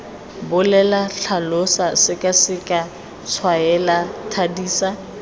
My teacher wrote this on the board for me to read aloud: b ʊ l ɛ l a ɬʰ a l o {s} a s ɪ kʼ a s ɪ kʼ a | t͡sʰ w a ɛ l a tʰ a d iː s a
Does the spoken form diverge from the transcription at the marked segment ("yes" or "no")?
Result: no